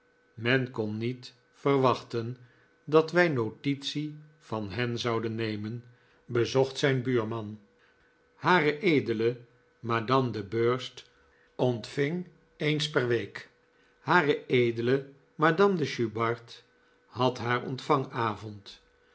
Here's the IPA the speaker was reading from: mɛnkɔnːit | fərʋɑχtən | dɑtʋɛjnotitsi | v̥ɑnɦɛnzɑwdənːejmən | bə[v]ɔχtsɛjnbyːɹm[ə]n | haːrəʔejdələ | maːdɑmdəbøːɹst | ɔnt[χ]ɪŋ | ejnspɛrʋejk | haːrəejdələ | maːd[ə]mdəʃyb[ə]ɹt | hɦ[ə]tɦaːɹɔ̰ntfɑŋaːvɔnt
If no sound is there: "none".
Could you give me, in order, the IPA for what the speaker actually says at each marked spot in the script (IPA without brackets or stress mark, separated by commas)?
z, ɑ, f, ɑ, ɑ, ɑ